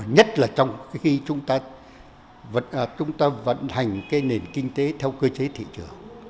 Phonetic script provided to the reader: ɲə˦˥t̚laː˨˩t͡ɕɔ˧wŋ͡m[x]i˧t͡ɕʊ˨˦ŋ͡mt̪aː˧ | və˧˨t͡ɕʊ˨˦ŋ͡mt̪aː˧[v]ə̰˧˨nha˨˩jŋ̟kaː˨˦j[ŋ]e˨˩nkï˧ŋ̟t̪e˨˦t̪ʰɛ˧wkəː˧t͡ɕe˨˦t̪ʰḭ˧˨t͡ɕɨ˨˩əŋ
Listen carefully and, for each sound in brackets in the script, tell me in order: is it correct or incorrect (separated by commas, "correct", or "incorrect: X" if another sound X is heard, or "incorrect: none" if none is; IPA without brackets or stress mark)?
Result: correct, correct, incorrect: n